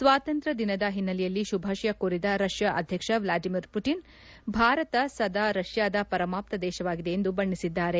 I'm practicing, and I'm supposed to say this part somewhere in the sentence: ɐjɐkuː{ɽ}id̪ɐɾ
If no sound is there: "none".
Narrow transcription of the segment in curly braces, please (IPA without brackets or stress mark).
ɾ